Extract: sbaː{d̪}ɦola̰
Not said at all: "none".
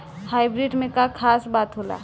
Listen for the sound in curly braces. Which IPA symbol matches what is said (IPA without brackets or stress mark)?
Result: t̪